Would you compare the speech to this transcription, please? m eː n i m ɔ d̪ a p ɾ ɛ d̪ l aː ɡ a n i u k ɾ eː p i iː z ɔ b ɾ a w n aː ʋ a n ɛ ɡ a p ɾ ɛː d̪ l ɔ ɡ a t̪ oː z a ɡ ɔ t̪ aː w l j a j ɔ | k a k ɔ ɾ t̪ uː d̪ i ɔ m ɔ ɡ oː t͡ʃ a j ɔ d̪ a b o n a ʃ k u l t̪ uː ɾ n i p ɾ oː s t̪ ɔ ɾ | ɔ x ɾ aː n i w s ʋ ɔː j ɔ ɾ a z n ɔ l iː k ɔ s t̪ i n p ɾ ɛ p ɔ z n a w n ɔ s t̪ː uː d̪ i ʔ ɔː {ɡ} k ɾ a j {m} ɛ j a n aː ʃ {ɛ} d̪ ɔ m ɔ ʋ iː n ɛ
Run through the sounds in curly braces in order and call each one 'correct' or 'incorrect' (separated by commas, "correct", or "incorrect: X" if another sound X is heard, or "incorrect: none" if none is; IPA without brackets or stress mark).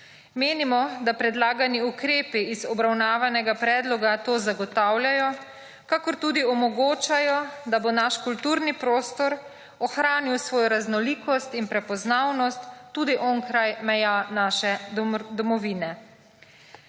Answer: incorrect: ŋ, correct, correct